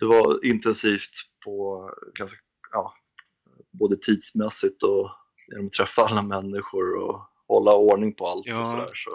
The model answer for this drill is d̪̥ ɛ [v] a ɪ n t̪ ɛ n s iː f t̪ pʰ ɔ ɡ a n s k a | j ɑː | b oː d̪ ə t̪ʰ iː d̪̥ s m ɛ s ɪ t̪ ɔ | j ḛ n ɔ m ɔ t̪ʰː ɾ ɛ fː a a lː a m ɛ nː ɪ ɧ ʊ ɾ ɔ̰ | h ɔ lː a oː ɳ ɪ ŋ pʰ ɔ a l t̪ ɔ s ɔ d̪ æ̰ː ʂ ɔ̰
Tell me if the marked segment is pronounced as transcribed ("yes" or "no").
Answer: yes